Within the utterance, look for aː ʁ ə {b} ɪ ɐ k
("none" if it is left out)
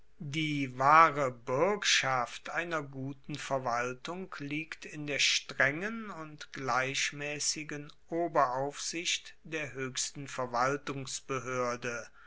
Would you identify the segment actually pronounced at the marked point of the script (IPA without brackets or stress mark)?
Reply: b